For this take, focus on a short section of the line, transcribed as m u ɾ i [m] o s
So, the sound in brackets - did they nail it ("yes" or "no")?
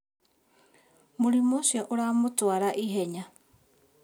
yes